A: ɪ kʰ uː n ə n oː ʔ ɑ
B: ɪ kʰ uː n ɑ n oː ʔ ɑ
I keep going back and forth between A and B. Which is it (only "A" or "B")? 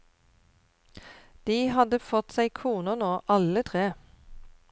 A